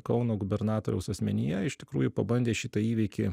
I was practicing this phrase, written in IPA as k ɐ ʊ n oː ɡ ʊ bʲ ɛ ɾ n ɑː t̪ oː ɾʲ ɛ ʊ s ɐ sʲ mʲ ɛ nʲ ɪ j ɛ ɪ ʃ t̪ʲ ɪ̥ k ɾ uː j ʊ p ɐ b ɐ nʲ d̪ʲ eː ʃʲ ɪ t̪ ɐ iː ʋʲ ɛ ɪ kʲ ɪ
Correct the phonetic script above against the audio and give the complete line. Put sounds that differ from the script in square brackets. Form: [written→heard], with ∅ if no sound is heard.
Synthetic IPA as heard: k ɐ ʊ n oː ɡ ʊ bʲ ɛ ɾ n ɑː t̪ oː ɾʲ ɛ ʊ s ɐ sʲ mʲ ɛ nʲ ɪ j ɛ ɪ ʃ t̪ʲ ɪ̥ k ɾ uː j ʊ p ɐ b ɐ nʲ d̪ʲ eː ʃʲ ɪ t̪ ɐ iː ʋʲ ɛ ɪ kʲ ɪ